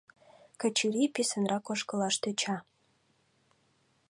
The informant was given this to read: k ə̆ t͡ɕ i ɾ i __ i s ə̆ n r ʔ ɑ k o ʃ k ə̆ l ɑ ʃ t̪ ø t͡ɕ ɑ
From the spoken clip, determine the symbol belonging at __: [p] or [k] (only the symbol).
p